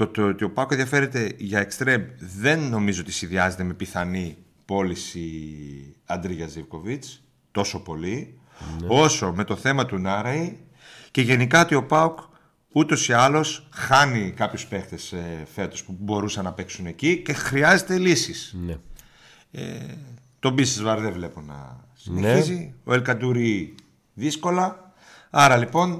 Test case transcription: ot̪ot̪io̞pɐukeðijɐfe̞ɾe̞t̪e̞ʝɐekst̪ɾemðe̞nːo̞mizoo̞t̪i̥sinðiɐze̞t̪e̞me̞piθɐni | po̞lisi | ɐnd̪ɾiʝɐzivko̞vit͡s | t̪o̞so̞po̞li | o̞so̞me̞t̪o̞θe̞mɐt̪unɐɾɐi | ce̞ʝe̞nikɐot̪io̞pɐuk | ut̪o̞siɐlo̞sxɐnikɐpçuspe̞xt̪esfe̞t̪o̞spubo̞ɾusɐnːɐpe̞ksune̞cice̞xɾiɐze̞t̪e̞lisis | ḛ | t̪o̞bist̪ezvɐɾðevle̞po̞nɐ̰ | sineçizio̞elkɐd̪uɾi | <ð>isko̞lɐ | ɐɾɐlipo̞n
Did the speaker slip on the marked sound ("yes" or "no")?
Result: no